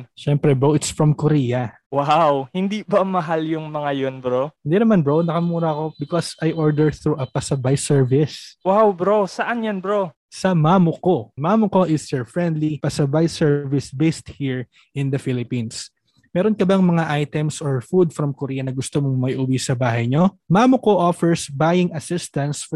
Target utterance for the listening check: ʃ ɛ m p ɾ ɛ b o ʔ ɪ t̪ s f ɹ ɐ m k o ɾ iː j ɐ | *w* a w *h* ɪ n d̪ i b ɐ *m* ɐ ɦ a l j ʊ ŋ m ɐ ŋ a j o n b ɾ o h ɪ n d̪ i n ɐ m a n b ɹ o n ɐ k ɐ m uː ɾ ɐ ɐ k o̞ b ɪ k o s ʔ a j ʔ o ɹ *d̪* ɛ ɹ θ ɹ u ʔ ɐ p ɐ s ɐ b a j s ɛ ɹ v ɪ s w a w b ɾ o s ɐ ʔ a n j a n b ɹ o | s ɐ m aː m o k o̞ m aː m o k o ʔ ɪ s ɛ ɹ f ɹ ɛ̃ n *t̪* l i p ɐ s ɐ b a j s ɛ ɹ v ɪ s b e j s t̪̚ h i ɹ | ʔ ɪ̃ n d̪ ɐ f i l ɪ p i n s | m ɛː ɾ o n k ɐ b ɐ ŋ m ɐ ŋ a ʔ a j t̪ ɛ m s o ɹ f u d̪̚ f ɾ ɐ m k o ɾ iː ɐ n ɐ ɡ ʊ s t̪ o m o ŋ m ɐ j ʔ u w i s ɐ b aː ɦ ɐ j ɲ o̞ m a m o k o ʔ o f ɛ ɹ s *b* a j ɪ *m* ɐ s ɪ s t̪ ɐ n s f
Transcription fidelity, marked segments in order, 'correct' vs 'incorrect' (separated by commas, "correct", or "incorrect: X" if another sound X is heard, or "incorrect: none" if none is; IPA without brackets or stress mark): correct, correct, correct, correct, incorrect: d̪, correct, incorrect: ŋ